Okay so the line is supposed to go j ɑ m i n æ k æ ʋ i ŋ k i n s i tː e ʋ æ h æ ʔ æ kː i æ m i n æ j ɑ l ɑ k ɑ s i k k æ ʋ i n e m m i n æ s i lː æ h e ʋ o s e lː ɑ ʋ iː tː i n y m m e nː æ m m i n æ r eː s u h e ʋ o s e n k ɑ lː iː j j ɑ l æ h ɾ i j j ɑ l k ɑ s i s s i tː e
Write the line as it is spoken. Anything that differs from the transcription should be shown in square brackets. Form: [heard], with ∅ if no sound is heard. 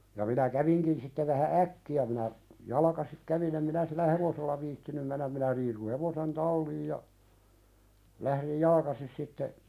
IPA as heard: j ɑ m i n æ k æ ʋ i ŋ k i n s i tː e ʋ æ h æ ʔ æ kː i æ m i n æ j ɑ l ɑ k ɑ s i k k æ ʋ i n e m m i n æ s i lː æ h e ʋ o s e lː ɑ ʋ iː tː i n y m m e nː æ m m i n æ r [iː] s u h e ʋ o s e n [t] ɑ lː iː j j ɑ l æ h ɾ i j j ɑ l k ɑ s i s s i tː e

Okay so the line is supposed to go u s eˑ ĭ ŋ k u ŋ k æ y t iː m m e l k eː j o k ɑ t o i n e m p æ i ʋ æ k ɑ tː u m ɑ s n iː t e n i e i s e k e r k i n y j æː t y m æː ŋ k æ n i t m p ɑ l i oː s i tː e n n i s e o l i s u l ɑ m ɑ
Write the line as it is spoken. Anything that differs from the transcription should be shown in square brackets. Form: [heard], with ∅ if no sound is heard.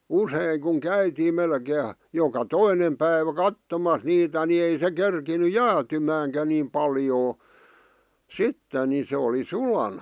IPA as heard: u s eˑ ĭ ŋ k u ŋ k æ y t iː m m e l k eː j o k ɑ t o i n e m p æ i ʋ æ k ɑ tː [o] m ɑ s n iː t [æ] n i e i s e k e r k i n y j æː t y m æː ŋ k æ n i [∅] m p ɑ l [j] oː s i tː e n n i s e o l i s u l ɑ [n] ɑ

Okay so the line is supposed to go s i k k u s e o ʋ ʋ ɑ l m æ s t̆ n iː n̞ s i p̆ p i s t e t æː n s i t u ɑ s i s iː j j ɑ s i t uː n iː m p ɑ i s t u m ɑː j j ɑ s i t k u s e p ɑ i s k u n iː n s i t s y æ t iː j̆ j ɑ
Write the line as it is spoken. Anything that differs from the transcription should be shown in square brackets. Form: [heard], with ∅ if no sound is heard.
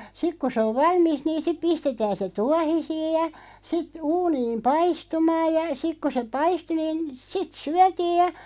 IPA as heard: s i k k u s e o ʋ ʋ ɑ l m [i] s t̆ n iː n̞ s i p̆ p i s t e t æː n s [e] t u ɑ [h] i s iː j j ɑ s i t uː n iː m p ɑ i s t u m ɑː j j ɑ s i [k] k u s e p ɑ i s [t] u n iː n s i t s y æ t iː j̆ j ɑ

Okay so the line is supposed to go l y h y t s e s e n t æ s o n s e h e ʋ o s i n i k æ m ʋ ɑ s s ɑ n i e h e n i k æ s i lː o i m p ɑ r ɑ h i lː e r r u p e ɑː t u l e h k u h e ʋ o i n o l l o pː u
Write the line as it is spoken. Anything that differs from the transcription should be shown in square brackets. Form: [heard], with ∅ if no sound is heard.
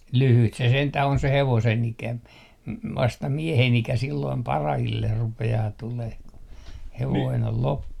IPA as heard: l y h y t s e s e n t æ [h] o n s e h e ʋ o s [e] n i k æ m ʋ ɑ s [t] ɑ [m] i e h e n i k æ s i lː o i m p ɑ r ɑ h i lː e r r u p e ɑː t u l e h k u h e ʋ o i n o l l o pː u

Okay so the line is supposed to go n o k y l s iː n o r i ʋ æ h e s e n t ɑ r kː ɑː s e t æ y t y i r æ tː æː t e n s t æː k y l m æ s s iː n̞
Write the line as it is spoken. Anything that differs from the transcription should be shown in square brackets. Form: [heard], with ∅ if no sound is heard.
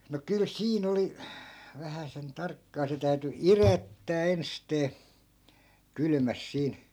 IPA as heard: n o k y l s iː n o [l] i ʋ æ h [æ] s e n t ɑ r kː ɑː s e t æ y t y i r æ tː æː [∅] e n s t [eː] k y l m æ s s iː n̞

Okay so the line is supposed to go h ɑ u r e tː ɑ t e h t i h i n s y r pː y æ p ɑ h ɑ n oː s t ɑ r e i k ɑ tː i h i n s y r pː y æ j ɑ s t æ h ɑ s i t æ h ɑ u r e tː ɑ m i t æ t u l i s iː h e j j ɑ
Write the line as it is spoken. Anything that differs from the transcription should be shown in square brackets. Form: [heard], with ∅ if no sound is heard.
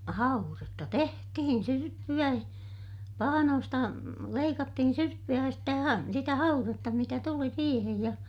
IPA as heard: h ɑ u r e tː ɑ t e h t i h i n s y r pː y æ p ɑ h ɑ n oː s t ɑ [l] e i k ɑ tː i h i n s y r pː y æ j ɑ s t æ h ɑ s i t æ h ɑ u r e tː ɑ m i t æ t u l i s iː h e j j ɑ

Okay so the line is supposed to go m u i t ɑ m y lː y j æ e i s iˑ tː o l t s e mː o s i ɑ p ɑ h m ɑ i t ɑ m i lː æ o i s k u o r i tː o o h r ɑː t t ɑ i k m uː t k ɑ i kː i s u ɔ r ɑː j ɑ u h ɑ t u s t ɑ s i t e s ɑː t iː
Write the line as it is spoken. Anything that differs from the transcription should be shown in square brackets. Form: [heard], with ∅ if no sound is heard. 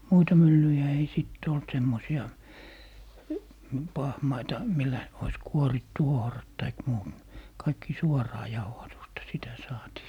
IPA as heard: m u i t ɑ m y lː y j æ e i s iˑ tː o l t s e mː o s i ɑ p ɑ h m ɑ i t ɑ m i lː æ o i s k u o r i tː [u] o h r [ɑ] t t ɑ i k m uː t k ɑ i kː i s u ɔ r ɑː j ɑ u h ɑ t u s t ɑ s i t [æ] s ɑː t iː

